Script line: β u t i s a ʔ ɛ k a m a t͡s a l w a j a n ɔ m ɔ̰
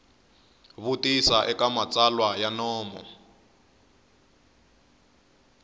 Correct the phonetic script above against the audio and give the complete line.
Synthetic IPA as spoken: β u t i s a ʔ ɛ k a m a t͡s a l w a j a n ɔː m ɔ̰